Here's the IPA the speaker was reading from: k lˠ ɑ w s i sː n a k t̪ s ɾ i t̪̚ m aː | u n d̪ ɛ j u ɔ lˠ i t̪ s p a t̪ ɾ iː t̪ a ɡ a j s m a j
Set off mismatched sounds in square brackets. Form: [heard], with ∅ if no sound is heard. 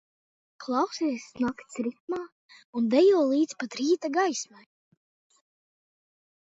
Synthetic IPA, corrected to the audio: k lˠ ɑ w s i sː n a k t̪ s ɾ i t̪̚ m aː | u n d̪ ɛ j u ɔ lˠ [iː] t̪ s p a t̪ ɾ iː t̪ a ɡ a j s m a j